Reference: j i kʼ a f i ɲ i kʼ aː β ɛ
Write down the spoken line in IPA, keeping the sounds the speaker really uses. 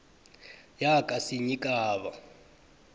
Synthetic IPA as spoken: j a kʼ a s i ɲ i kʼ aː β a